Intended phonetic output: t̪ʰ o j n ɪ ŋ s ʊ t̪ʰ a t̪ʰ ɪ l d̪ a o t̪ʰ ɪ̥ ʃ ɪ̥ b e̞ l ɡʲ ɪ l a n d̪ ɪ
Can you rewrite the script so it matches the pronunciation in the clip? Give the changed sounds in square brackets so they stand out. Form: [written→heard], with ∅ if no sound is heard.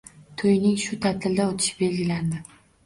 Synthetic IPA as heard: t̪ʰ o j n ɪ ŋ [s→ʃ] ʊ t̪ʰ a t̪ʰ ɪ l d̪ a o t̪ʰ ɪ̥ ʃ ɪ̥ b e̞ l ɡʲ ɪ l a n d̪ ɪ